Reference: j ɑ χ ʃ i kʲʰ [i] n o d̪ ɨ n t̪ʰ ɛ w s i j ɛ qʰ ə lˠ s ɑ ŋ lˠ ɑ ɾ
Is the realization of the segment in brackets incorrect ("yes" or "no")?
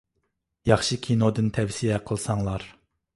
no